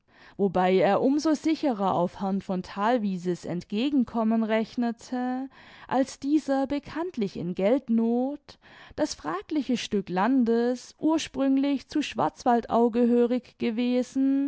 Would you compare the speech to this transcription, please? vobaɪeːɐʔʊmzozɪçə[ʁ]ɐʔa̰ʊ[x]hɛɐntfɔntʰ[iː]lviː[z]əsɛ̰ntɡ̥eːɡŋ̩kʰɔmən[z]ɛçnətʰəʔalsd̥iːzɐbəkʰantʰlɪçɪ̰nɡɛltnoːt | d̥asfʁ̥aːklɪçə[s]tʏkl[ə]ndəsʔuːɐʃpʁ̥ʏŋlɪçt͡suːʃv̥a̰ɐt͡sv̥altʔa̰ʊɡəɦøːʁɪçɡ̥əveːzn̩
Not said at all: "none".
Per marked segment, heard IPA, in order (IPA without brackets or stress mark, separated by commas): ʁ, f, aː, z, ʁ, ʃ, a